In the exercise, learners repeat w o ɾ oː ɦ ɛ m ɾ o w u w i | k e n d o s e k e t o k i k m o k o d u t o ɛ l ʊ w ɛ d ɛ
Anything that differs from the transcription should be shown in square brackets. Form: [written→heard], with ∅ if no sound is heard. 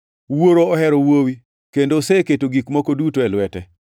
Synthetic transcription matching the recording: w o ɾ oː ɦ ɛ [m→∅] ɾ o w [u→o] w i | k e n d o s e k e t o [k→ɡ] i k m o k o d u t o ɛ l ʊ w ɛ [d→t] ɛ

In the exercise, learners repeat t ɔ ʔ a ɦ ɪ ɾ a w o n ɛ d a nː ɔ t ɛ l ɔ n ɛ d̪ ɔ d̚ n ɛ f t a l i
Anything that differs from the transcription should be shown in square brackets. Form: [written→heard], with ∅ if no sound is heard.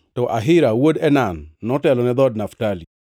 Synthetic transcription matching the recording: t ɔ ʔ a ɦ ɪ ɾ a w o [n→d] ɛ [d→n] a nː ɔ t ɛ l ɔ n ɛ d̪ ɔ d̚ n [ɛ→a] f t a l i

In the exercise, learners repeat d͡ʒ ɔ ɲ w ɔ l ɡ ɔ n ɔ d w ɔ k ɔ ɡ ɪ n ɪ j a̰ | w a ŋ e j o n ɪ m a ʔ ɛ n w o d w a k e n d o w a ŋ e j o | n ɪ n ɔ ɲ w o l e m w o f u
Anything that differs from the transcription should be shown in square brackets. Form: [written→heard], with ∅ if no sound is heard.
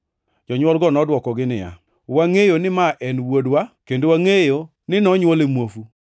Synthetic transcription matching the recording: d͡ʒ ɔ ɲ w ɔ l ɡ ɔ n ɔ d w ɔ k ɔ ɡ ɪ n ɪ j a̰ | w a ŋ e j o n ɪ m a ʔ ɛ n w o d w a k e n d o w a ŋ e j o | n ɪ n ɔ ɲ w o l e m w o f u

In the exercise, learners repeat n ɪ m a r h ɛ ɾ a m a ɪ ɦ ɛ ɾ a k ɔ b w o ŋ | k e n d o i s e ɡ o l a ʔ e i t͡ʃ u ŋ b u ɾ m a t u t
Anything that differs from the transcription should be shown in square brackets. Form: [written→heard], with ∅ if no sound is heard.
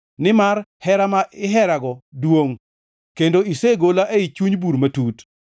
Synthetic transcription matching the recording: n ɪ m a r h ɛ ɾ a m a ɪ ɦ ɛ ɾ a [k→ɡ] ɔ [b→d] w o ŋ | k e n d o i s e ɡ o l a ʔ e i t͡ʃ u [ŋ→ɲ] b u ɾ m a t u t

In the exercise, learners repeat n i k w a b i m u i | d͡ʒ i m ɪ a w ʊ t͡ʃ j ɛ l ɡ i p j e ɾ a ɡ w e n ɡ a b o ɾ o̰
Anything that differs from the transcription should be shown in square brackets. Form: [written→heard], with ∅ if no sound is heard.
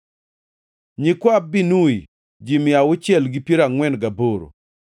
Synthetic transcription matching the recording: [n→ɲ] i k w a b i [m→n] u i | d͡ʒ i m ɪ a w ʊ t͡ʃ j ɛ l ɡ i p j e ɾ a [ɡ→ŋ] w [e→ɛ] n ɡ a b o ɾ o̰

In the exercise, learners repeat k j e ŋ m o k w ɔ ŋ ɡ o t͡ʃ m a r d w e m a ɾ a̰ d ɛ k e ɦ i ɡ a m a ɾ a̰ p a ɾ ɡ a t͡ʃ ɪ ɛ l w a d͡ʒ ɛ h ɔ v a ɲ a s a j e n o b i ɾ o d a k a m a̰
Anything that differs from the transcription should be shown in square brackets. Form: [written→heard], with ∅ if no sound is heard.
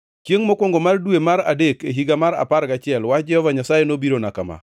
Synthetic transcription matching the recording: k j e ŋ m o k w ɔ ŋ ɡ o [t͡ʃ→∅] m a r d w e m a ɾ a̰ d [ɛ→e] k e ɦ i ɡ a m a ɾ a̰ p a ɾ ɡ a t͡ʃ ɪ ɛ l w a d͡ʒ ɛ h ɔ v a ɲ a s a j e n o b i ɾ o [d→n] a k a m a̰

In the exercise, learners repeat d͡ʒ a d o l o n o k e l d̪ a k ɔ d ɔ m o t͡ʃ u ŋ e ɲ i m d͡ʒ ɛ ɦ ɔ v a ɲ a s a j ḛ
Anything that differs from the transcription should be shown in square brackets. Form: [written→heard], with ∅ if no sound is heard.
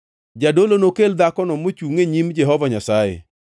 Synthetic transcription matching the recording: d͡ʒ a d o l o n o k e l d̪ a k ɔ [d→n] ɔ m o t͡ʃ u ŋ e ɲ i m d͡ʒ ɛ ɦ ɔ v a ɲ a s a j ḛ

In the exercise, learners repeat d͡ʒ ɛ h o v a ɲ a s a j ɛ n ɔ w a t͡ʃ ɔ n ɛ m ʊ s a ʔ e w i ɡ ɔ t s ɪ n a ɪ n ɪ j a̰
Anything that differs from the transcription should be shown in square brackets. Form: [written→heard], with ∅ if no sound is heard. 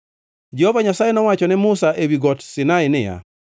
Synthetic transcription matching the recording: d͡ʒ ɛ h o v a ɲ a s a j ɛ n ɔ w a t͡ʃ ɔ n ɛ m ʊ s a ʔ e w i ɡ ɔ t s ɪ n a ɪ n ɪ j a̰

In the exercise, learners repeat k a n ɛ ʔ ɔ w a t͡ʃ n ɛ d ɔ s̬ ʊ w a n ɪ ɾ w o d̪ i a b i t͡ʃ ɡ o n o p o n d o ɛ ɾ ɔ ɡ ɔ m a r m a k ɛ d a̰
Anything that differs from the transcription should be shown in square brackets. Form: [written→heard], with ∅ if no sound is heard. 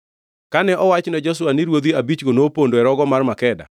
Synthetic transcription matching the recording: k a n ɛ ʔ ɔ w a t͡ʃ n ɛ [d→d͡ʒ] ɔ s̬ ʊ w a n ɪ ɾ w o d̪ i a b i t͡ʃ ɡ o n o p o n d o ɛ ɾ ɔ ɡ ɔ m a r m a k ɛ d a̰

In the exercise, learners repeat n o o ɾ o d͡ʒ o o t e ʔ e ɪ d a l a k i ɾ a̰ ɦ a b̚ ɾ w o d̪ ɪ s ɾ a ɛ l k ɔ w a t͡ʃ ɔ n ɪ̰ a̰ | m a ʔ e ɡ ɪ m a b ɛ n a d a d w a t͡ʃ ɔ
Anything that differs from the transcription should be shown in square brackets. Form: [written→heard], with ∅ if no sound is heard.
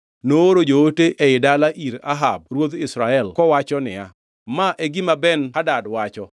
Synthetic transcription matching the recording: n o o ɾ o d͡ʒ o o t e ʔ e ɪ d a l a [k→ʔ] i ɾ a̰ ɦ a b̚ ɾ w o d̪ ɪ s ɾ a ɛ l k ɔ w a t͡ʃ ɔ n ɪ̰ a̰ | m a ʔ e ɡ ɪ m a b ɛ n a d a d w a t͡ʃ ɔ

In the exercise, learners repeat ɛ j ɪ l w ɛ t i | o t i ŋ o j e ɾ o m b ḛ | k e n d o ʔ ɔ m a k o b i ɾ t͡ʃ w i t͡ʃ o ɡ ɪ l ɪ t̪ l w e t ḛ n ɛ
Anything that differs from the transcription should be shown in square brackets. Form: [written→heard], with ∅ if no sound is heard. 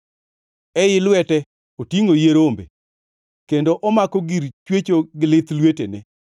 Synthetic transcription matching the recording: ɛ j ɪ l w ɛ t [i→ɛ] | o t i ŋ o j e ɾ o m b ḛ | k e n d o ʔ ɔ m a k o [b→ɡ] i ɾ t͡ʃ w [i→e] t͡ʃ o ɡ ɪ l ɪ t̪ l w e t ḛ n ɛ

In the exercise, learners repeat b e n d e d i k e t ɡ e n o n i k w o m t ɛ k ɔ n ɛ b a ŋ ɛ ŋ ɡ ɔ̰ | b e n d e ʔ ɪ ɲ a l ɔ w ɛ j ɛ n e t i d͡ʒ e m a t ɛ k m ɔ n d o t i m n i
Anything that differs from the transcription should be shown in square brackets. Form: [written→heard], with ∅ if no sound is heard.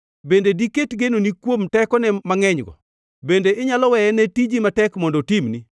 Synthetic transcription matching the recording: b e n d e d i k e t ɡ e n o n i k w o m t ɛ k ɔ n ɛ [b→m] a ŋ ɛ [ŋ→ɲ] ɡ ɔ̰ | b e n d e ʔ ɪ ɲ a l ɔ w ɛ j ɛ n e t i d͡ʒ [e→i] m a t ɛ k m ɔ n d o t i m n i

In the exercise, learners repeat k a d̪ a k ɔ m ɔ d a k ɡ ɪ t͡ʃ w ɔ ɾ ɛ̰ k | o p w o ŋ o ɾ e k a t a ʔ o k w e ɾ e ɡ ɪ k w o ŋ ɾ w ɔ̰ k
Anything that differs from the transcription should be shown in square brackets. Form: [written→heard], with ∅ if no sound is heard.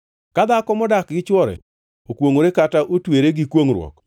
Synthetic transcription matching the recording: k a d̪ a k ɔ m ɔ d a k ɡ ɪ t͡ʃ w ɔ ɾ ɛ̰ [k→∅] | o [p→k] w o ŋ o ɾ e k a t a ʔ o [k→t] w e ɾ e ɡ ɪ k w o ŋ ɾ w ɔ̰ k

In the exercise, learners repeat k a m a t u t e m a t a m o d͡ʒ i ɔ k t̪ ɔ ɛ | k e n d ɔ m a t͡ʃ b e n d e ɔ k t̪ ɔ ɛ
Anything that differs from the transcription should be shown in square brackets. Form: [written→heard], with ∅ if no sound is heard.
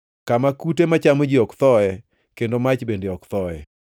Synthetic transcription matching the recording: k a m a [t→k] u t e m a [t→t͡ʃ] a m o d͡ʒ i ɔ k t̪ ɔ ɛ | k e n d [ɔ→o] m a t͡ʃ b e n d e ɔ k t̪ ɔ ɛ

